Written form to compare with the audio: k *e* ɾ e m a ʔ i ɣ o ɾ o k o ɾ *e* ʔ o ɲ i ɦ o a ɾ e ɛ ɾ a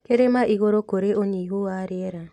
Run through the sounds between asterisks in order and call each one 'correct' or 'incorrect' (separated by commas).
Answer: correct, correct